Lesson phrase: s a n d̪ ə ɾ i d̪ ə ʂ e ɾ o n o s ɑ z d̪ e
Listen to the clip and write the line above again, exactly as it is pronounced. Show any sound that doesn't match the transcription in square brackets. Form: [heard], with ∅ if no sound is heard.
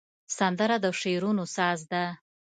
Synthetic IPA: s a n d̪ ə ɾ [a] d̪ ə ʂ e ɾ [u] n o s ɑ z d̪ [a]